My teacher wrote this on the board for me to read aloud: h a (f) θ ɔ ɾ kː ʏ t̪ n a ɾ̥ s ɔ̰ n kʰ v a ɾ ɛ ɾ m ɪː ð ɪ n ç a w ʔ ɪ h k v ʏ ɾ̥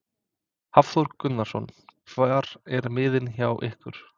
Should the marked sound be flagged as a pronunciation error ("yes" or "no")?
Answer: no